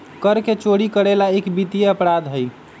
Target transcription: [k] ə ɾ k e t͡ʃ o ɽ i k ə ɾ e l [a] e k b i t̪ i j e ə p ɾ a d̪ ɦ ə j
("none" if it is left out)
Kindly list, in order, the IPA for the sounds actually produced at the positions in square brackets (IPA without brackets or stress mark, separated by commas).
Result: k, a